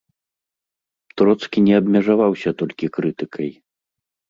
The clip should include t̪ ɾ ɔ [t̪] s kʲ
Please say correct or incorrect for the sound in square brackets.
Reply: correct